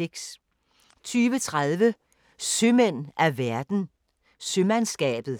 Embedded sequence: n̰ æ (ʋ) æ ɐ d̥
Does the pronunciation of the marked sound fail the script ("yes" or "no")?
no